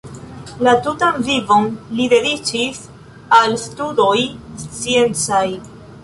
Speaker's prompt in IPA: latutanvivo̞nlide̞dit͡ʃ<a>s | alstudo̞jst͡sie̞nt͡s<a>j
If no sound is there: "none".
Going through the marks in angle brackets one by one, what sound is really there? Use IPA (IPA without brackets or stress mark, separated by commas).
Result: i, a